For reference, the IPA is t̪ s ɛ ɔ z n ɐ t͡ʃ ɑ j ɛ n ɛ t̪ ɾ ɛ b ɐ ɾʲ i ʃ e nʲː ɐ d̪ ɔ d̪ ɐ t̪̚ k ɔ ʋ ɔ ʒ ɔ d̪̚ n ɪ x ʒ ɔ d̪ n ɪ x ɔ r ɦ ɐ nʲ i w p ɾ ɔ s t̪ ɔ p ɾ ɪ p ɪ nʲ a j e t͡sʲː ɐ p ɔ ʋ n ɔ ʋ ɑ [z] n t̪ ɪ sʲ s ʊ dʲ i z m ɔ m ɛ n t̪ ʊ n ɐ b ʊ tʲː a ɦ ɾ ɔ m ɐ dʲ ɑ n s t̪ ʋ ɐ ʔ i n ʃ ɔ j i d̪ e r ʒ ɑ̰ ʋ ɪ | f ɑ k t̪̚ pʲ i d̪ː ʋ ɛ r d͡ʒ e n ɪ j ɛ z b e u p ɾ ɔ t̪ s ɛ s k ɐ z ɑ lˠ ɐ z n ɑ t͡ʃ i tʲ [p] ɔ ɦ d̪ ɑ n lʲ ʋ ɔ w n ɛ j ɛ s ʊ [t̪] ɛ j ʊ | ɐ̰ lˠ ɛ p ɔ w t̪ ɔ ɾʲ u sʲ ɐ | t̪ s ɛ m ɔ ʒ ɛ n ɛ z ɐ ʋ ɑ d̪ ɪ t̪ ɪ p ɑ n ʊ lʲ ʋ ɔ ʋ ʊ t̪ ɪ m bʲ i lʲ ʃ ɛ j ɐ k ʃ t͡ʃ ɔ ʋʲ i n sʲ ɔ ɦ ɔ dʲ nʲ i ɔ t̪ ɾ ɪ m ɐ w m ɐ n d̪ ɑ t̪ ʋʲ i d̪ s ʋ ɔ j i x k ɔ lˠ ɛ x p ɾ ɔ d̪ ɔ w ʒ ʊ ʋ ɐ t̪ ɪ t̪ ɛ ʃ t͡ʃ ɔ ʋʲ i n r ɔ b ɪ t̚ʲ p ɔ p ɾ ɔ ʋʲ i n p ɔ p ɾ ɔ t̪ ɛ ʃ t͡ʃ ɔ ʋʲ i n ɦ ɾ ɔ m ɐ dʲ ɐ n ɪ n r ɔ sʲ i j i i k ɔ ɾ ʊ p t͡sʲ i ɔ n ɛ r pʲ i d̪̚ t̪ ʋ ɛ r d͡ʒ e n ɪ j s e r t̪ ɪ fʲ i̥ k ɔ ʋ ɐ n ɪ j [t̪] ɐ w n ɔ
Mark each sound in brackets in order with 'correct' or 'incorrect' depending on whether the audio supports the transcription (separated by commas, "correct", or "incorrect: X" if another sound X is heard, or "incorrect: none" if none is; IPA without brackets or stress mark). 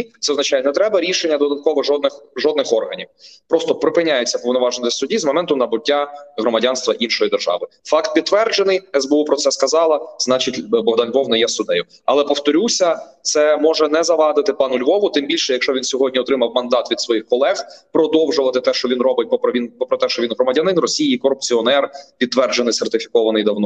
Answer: incorrect: ʒ, incorrect: b, incorrect: d̪, incorrect: d̪